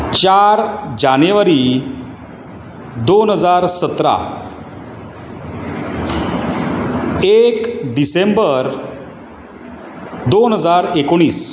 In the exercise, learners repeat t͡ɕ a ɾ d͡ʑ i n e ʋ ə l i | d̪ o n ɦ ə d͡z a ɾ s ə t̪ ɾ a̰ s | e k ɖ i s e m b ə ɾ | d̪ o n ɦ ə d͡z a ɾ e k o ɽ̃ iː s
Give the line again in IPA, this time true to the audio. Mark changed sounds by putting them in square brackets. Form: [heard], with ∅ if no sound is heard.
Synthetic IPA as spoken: t͡ɕ a ɾ d͡ʑ [a] n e ʋ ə [ɾ] i | d̪ o n ɦ ə d͡z a ɾ s ə t̪ ɾ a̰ [∅] | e k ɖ i s e m b ə ɾ | d̪ o n ɦ ə d͡z a ɾ e k o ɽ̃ iː s

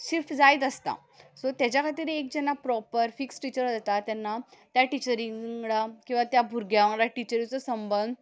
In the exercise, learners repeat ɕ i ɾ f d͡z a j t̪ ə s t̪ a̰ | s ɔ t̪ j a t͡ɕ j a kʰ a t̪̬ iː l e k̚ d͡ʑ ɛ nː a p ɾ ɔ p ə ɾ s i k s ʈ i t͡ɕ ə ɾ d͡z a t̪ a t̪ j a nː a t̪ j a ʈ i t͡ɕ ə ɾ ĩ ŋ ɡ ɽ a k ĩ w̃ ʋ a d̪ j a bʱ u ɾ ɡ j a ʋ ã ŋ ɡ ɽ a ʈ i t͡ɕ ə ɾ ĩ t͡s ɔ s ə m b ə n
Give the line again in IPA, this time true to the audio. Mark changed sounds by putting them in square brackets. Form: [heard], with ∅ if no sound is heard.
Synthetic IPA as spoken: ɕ i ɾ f d͡z a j t̪ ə s t̪ a̰ | s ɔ t̪ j a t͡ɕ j a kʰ a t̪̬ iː [ɾ] e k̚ d͡ʑ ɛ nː a p ɾ ɔ p ə ɾ [f] i k s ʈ i t͡ɕ ə ɾ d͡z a t̪ a t̪ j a nː a t̪ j a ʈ i t͡ɕ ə ɾ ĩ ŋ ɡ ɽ a k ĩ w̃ ʋ a [t̪] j a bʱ u ɾ ɡ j a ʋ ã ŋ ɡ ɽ a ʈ i t͡ɕ ə ɾ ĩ t͡s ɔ s ə m b ə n

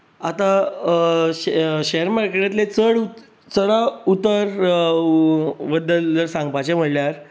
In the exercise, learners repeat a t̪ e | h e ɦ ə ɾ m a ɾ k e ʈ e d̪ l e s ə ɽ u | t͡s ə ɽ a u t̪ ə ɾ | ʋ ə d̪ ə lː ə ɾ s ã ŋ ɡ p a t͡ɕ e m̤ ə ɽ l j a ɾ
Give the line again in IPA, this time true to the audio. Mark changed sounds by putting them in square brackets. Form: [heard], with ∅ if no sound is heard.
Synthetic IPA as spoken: a t̪ [a] | [ɕ] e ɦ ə ɾ m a ɾ k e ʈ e [t̪] l e [t͡s] ə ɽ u | t͡s ə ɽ a u t̪ ə ɾ | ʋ ə d̪ ə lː ə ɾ s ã ŋ ɡ p a t͡ɕ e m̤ ə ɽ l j a ɾ

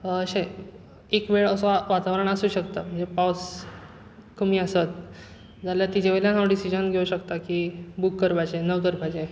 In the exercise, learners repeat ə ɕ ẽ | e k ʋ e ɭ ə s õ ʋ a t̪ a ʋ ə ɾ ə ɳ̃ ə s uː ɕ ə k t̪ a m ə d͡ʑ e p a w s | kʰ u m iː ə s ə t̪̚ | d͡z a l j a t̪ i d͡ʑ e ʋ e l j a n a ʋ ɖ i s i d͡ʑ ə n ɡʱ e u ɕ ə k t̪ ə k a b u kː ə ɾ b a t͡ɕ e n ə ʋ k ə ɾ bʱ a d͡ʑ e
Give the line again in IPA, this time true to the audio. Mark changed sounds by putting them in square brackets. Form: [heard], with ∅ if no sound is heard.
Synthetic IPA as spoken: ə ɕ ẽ | e k ʋ e ɭ ə s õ ʋ a t̪ a ʋ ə ɾ ə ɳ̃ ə s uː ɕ ə k t̪ a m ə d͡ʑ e p a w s | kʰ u m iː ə s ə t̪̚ | d͡z a l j a t̪ i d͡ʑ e ʋ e l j a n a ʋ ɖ i s i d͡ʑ ə n ɡʱ e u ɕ ə k t̪ [a] k [i] b u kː ə ɾ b a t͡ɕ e n ə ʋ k ə ɾ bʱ a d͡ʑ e

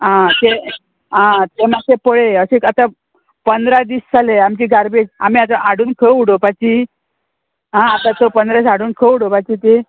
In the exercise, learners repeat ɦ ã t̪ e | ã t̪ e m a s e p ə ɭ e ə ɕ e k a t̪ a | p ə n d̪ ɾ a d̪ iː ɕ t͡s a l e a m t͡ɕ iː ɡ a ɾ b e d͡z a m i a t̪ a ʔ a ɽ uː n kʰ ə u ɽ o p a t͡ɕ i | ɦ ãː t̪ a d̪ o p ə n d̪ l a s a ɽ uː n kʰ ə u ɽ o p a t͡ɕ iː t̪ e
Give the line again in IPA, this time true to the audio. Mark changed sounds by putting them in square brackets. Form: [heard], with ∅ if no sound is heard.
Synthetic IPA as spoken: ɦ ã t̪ e | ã t̪ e m a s e p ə ɭ e ə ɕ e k a t̪ a | p ə n d̪ ɾ a d̪ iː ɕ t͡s a l e a m t͡ɕ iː ɡ a ɾ b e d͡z a m i a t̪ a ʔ a ɽ uː n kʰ ə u ɽ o p a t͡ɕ i | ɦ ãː t̪ a [t̪] o p ə n d̪ [ɾ] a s a ɽ uː n kʰ ə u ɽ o p a t͡ɕ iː t̪ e

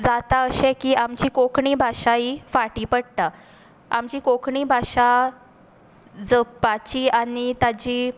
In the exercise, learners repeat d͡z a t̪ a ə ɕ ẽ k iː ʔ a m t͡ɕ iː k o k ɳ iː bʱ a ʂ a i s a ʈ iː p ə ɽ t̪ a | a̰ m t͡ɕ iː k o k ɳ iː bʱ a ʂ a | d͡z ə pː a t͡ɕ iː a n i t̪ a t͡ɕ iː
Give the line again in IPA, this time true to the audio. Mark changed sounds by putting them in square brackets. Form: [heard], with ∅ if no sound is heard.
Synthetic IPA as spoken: d͡z a t̪ a ə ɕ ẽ k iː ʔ a m t͡ɕ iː k o k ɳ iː bʱ a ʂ a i [f] a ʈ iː p ə ɽ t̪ a | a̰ m t͡ɕ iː k o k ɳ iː bʱ a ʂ a | d͡z ə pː a t͡ɕ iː a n i t̪ a t͡ɕ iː

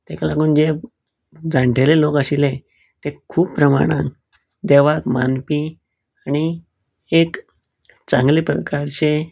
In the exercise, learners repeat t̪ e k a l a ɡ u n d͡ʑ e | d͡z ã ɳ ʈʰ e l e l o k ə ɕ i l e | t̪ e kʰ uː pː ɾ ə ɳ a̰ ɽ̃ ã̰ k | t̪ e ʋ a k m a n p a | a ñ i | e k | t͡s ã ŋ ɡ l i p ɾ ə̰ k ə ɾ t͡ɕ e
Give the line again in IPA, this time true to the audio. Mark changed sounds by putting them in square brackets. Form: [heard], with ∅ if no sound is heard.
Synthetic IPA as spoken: t̪ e k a l a ɡ [uː] n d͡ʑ e | d͡z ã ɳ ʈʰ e l e l o k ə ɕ i l e | t̪ e kʰ uː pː ɾ ə [m] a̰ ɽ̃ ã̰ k | [d̪] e ʋ a k m a n p [i] | a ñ i | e k | t͡s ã ŋ ɡ l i p ɾ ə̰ k [a] ɾ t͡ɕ e

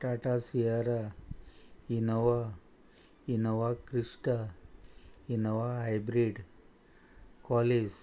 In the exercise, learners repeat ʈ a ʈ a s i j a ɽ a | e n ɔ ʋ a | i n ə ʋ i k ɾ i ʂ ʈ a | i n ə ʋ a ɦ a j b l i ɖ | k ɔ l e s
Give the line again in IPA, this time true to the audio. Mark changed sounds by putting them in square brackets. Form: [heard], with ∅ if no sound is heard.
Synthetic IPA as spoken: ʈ a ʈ a s i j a [ɾ] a | [i] n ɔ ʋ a | i n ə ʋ [a] k ɾ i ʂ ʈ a | i n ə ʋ a ɦ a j b [ɾ] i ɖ | k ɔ l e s

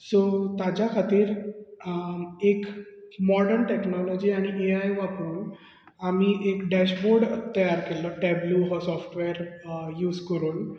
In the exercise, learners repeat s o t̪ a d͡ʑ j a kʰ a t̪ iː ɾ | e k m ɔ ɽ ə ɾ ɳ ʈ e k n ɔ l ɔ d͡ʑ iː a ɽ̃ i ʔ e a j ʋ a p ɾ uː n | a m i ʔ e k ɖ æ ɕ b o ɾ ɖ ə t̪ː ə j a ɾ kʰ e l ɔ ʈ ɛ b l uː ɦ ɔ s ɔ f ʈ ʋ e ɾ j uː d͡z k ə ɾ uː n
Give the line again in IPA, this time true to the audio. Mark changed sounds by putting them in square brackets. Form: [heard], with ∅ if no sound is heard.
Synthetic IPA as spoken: s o t̪ a d͡ʑ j a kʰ a t̪ iː ɾ | e k m ɔ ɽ ə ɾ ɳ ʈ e k n ɔ l ɔ d͡ʑ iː a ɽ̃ i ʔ e a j ʋ a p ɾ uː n | a m i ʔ e k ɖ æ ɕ b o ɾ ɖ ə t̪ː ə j a ɾ [k] e l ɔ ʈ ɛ b l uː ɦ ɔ s ɔ f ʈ ʋ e ɾ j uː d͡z k ə ɾ uː n

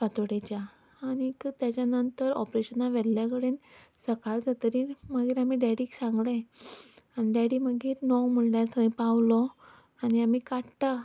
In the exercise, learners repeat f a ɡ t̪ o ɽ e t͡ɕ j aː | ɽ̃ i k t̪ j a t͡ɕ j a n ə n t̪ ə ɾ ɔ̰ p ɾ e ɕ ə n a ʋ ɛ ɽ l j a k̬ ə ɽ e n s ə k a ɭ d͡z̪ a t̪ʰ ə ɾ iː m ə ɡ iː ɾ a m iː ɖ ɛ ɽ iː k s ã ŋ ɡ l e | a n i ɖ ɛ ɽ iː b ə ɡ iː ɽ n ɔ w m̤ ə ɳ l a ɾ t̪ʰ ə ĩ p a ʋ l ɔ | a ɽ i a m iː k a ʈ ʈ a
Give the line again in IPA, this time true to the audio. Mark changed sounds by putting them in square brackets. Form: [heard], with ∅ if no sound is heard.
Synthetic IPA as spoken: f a [∅] t̪ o ɽ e t͡ɕ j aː | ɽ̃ i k t̪ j a t͡ɕ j a n ə n t̪ ə ɾ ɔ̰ p ɾ e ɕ ə n a ʋ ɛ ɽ l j a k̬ ə ɽ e n s ə k a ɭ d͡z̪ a [t̪] ə ɾ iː m ə ɡ iː ɾ a m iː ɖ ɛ ɽ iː k s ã ŋ ɡ l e | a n i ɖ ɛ ɽ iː [m] ə ɡ iː [ɾ] n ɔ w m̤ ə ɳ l a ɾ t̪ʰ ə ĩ p a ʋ l ɔ | a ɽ i a m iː k a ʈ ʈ a

